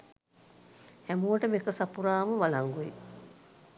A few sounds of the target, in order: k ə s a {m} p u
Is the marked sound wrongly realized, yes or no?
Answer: yes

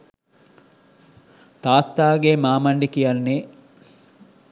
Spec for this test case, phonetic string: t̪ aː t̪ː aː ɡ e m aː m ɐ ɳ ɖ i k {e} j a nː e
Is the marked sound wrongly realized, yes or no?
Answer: yes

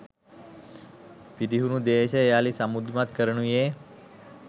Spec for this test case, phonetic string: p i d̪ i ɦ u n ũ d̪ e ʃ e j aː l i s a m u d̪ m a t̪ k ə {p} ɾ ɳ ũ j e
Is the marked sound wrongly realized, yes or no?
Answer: yes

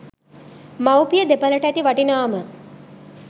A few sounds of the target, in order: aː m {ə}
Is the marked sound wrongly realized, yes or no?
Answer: no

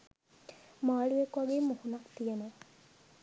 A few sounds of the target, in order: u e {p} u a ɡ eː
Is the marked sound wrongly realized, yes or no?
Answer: yes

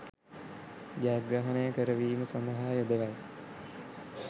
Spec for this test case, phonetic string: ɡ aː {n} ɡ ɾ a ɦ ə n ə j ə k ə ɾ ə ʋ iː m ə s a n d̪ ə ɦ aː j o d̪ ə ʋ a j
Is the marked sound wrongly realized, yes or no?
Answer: yes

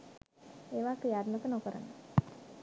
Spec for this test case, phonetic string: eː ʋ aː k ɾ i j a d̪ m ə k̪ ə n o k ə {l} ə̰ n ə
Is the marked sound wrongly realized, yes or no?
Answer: yes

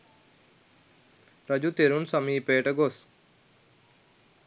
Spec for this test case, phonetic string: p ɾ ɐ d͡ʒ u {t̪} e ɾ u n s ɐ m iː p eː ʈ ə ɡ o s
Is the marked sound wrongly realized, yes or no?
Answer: no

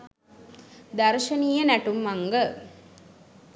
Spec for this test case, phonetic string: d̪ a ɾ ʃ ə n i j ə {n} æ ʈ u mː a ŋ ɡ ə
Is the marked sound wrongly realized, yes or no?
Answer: no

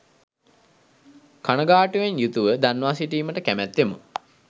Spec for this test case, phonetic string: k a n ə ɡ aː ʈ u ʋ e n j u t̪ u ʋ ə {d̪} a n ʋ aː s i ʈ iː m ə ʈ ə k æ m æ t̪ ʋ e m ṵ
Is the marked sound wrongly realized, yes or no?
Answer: no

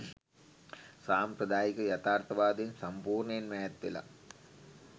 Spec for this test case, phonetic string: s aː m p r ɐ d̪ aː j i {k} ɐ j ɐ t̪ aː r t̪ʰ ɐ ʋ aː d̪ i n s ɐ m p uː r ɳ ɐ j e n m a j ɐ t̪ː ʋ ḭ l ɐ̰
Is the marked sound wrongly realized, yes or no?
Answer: no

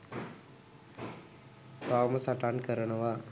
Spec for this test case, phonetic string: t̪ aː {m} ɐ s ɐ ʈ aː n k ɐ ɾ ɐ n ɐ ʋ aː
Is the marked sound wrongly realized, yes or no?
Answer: no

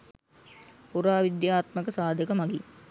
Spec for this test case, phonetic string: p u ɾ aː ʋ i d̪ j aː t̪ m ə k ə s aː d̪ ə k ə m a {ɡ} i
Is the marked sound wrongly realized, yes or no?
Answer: no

